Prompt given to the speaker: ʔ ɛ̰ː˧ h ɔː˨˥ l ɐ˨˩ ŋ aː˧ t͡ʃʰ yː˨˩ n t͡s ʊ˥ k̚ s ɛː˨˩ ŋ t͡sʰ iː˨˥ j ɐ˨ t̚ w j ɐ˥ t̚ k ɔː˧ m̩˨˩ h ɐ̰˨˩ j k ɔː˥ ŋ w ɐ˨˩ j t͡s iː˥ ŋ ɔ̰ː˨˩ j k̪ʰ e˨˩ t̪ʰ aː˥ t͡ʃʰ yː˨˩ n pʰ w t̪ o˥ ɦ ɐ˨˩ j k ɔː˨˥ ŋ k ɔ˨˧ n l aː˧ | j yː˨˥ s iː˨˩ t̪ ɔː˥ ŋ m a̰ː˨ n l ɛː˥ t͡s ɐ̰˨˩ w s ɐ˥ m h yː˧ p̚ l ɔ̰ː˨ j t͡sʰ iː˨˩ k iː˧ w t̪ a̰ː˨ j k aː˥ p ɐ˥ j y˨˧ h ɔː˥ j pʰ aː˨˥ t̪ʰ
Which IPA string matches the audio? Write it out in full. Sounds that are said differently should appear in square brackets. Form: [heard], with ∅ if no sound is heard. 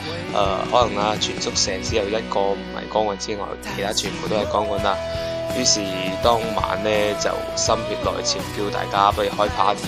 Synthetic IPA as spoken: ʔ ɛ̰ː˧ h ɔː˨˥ l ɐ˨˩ ŋ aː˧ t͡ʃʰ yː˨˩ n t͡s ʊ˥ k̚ s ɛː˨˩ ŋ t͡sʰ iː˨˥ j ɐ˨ [∅] w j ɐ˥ t̚ k ɔː˧ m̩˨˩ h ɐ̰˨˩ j k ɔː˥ ŋ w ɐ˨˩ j t͡s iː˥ ŋ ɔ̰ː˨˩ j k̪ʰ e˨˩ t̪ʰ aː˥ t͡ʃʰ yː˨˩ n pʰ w t̪ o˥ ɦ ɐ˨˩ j k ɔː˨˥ ŋ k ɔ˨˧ n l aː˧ | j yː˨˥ s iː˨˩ t̪ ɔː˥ ŋ m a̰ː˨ n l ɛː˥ t͡s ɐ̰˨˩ w s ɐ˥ m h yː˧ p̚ l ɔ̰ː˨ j t͡sʰ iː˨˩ k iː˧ w t̪ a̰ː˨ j k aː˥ p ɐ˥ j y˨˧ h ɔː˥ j pʰ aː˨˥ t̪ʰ